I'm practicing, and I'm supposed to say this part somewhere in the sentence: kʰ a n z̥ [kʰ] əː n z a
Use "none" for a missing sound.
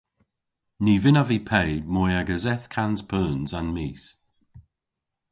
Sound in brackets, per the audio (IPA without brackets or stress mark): pʰ